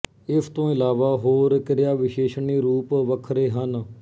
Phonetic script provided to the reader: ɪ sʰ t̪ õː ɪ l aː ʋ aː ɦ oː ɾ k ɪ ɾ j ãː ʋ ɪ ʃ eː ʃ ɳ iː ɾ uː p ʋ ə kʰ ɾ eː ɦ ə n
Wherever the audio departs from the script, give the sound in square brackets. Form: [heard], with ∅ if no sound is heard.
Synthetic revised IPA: ɪ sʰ t̪ õː ɪ l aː ʋ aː ɦ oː ɾ k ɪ ɾ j [aː] ʋ ɪ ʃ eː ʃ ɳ iː ɾ uː p ʋ ə kʰ ɾ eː ɦ ə n